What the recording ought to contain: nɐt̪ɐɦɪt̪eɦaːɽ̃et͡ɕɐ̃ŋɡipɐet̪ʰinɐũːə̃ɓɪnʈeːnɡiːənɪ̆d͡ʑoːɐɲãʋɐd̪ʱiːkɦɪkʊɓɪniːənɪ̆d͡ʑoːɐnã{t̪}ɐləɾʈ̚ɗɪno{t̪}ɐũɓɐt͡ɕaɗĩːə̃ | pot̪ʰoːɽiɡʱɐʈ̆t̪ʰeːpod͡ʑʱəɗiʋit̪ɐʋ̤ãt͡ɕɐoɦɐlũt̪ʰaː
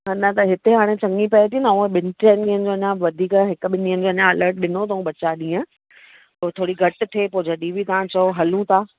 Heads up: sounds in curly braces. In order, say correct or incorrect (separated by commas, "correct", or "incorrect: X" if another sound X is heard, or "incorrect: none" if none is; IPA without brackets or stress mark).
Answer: incorrect: none, correct